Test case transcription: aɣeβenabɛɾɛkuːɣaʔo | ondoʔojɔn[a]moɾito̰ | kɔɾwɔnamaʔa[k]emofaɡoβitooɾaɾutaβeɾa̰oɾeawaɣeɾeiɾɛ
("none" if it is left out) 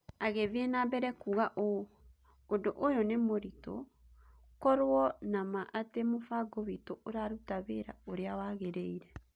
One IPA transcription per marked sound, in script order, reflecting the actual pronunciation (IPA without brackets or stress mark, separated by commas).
e, t